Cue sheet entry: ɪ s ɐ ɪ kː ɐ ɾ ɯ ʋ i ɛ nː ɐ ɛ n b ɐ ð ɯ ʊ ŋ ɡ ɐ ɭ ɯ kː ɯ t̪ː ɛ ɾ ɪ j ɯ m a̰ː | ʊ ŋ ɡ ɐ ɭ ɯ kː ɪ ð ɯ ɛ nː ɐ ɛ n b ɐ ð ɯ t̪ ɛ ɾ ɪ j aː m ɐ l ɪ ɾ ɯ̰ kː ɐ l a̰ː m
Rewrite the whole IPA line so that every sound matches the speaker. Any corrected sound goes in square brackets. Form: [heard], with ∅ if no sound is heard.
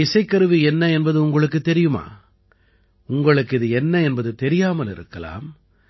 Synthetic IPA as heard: ɪ s ɐ ɪ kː ɐ ɾ ɯ ʋ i ɛ nː ɐ ɛ n b ɐ ð ɯ ʊ ŋ ɡ ɐ ɭ ɯ kː ɯ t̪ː ɛ ɾ ɪ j ɯ m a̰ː | ʊ ŋ ɡ ɐ ɭ ɯ kː ɪ ð ɯ ɛ nː ɐ ɛ n b ɐ ð ɯ t̪ ɛ ɾ ɪ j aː m ɐ l ɪ ɾ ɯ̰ kː ɐ l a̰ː m